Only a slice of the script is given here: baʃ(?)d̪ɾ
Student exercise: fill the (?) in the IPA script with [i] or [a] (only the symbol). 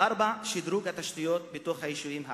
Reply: i